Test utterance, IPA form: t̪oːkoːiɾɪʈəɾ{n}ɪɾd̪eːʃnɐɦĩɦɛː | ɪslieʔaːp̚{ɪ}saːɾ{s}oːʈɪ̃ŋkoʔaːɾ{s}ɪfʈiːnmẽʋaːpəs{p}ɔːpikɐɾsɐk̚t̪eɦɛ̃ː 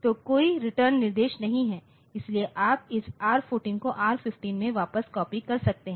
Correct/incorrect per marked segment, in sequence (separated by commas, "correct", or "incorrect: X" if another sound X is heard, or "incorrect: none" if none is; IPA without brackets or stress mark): incorrect: nː, correct, incorrect: f, incorrect: f, incorrect: k